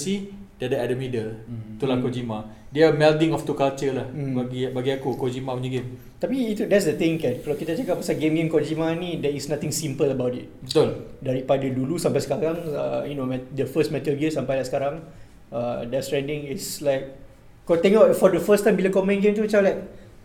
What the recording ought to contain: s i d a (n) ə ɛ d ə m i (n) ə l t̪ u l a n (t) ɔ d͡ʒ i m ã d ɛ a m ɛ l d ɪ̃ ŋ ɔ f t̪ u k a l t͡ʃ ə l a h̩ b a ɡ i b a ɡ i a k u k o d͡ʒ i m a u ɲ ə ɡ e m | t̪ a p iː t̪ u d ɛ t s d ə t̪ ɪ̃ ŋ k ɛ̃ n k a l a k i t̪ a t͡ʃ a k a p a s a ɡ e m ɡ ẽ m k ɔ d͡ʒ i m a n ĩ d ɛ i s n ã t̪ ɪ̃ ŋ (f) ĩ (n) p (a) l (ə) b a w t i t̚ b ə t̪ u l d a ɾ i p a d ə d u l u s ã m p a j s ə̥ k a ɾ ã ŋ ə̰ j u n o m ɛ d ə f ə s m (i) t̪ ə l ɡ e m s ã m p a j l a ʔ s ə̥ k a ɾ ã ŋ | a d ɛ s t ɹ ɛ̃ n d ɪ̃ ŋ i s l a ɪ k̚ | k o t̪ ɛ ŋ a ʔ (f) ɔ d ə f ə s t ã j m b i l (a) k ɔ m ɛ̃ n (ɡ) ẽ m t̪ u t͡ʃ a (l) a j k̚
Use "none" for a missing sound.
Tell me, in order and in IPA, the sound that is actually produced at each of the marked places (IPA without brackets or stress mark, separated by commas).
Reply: d, d, k, s, m, ə, ə, ɛ, f, a, ɡ, l